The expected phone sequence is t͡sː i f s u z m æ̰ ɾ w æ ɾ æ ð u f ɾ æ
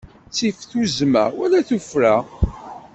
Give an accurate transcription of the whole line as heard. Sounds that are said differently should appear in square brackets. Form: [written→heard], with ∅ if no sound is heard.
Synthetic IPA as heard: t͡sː i f [s→θ] u z m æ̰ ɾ w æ [ɾ→l] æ [ð→θ] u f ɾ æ